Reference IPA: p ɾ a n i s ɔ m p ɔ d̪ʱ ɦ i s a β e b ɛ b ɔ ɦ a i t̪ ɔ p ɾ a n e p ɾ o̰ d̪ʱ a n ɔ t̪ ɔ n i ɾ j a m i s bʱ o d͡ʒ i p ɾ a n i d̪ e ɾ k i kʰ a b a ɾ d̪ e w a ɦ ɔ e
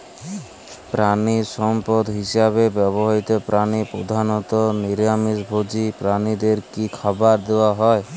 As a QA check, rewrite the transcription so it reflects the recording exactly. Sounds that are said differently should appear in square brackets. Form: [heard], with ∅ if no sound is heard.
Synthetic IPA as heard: p ɾ a n i s ɔ m p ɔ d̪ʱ ɦ i s a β e b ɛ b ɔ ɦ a i t̪ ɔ p ɾ a n [i] p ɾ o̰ d̪ʱ a n ɔ t̪ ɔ n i ɾ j a m i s bʱ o d͡ʒ i p ɾ a n i d̪ e ɾ k i kʰ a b a ɾ d̪ e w a ɦ ɔ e